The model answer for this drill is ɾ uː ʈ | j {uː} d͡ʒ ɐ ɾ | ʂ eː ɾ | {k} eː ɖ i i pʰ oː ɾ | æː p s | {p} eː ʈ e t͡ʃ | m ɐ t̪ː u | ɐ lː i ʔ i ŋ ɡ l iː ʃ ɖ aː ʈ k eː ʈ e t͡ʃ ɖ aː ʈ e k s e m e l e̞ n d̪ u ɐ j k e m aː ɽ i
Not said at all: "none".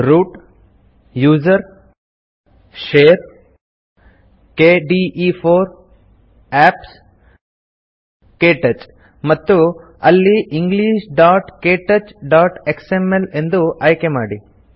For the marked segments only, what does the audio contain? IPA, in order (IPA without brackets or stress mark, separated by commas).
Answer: uː, k, k